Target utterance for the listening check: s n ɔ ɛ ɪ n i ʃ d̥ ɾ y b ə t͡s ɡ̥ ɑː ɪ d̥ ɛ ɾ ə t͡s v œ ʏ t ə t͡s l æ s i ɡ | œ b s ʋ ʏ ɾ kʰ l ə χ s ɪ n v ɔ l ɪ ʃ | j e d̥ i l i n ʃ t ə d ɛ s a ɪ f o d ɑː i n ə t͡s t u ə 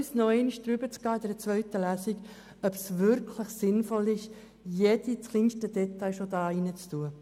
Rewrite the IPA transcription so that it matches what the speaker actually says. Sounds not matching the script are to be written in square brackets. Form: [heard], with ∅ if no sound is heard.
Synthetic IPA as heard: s n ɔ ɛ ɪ n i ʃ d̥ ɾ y b ə t͡s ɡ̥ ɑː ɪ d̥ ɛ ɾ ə t͡s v œ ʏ t ə [∅] l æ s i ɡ | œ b s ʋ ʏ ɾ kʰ l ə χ s ɪ n [f] ɔ l ɪ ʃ | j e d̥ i l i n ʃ t ə d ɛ [t] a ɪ [ʃ] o d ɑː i n ə t͡s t u ə

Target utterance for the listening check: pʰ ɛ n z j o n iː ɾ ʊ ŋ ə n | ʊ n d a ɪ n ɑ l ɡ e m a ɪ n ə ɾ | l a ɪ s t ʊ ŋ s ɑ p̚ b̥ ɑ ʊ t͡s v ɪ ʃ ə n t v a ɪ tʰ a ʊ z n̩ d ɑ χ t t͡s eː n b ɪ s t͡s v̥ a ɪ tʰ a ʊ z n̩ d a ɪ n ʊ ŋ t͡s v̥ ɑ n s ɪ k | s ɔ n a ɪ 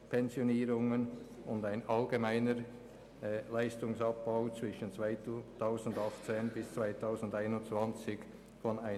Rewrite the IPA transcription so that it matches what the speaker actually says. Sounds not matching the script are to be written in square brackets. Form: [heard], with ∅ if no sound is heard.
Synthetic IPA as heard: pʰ ɛ n z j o n iː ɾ ʊ ŋ ə n | ʊ n d a ɪ n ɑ l ɡ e m a ɪ n ə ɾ | l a ɪ s t ʊ ŋ s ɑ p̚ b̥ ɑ ʊ t͡s v ɪ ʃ ə n [t͡s] v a ɪ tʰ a ʊ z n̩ d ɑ χ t t͡s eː n b ɪ s t͡s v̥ a ɪ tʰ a ʊ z n̩ d a ɪ n ʊ [n] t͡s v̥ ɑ n [t͡s] ɪ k | [f] ɔ n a ɪ

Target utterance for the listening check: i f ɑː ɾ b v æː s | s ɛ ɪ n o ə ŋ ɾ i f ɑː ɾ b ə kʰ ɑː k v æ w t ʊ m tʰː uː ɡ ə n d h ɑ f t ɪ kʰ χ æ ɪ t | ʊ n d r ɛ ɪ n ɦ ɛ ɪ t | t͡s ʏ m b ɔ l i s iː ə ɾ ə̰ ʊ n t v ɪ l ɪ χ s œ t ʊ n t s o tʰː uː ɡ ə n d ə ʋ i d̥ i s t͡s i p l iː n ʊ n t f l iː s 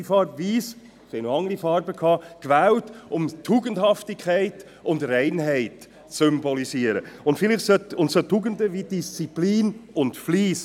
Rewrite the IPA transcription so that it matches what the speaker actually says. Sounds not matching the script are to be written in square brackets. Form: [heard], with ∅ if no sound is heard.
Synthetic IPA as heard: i f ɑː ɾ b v [iː] s | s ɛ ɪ n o [ɑ] ŋ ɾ i f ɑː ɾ b ə kʰ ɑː k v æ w t ʊ m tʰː uː ɡ ə n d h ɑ f t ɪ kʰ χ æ ɪ t | ʊ n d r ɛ ɪ n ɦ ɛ ɪ t | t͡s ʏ m b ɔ l i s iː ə ɾ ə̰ ʊ n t [f] ɪ l ɪ χ s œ t ʊ n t s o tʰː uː ɡ ə n d ə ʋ i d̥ i s t͡s i p l iː n ʊ n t f l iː s

